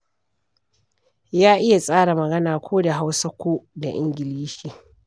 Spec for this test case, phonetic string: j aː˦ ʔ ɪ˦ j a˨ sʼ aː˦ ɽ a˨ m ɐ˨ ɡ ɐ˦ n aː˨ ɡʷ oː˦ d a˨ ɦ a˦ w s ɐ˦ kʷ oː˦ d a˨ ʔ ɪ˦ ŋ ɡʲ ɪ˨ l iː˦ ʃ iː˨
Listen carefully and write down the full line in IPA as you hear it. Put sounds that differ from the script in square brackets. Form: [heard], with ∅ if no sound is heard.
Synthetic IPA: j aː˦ ʔ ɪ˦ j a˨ sʼ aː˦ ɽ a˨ m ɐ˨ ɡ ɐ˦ n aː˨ [kʷ] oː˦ d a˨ ɦ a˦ w s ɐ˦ kʷ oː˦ d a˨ ʔ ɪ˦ ŋ ɡʲ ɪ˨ l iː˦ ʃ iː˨